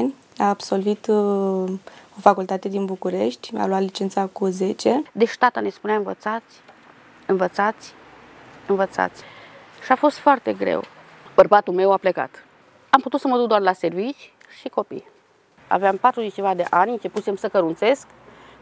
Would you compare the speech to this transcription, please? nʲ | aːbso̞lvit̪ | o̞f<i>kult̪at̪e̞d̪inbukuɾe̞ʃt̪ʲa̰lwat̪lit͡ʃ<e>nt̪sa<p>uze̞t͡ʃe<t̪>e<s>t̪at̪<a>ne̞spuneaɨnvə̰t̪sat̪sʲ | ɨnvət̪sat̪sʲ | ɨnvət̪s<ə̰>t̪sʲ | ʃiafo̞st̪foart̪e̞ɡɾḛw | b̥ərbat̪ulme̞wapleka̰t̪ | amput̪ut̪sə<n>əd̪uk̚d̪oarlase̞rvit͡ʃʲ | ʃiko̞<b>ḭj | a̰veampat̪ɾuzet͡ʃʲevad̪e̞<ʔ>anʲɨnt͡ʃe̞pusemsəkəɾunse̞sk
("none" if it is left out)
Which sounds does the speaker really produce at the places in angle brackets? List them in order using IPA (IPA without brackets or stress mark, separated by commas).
a, e, k, d̪, ʃ, a, a̰, m, p, ʔ